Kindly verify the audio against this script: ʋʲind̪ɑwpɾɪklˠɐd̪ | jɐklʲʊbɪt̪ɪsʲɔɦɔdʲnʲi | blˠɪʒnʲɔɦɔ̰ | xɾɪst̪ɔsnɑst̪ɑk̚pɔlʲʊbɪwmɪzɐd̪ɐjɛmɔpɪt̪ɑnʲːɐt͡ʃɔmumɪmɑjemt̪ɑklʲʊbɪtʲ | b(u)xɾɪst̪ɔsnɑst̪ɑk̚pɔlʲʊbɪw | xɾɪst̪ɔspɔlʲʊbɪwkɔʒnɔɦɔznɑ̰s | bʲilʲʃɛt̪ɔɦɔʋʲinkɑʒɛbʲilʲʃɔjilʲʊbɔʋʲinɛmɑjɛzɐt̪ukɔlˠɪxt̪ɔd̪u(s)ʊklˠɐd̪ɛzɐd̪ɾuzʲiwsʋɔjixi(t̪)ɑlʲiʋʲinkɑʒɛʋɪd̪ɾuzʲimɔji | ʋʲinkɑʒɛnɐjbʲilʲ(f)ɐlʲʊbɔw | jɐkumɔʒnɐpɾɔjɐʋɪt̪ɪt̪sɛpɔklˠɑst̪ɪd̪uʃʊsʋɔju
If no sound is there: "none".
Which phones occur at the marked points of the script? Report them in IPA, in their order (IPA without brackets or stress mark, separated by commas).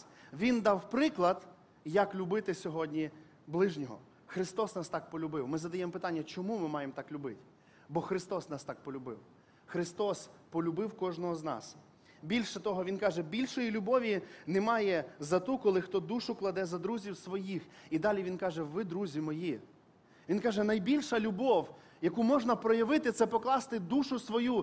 ɔ, ʃ, d̪, ʃ